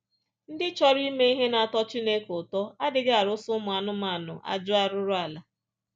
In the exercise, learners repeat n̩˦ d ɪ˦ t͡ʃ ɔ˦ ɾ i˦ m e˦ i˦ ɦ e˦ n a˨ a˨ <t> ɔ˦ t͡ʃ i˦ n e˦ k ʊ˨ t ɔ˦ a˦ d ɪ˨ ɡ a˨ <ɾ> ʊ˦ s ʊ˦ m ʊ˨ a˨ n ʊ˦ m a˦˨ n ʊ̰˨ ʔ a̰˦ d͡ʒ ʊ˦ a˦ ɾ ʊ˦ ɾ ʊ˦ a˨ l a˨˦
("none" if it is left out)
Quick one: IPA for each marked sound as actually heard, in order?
t, ɾ

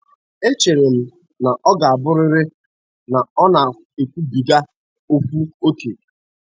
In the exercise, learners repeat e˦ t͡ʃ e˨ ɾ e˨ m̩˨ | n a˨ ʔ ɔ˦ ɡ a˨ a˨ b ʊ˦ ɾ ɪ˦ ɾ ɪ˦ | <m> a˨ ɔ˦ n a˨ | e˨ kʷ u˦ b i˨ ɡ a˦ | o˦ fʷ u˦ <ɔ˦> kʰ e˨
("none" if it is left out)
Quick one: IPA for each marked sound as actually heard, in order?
n, o˦

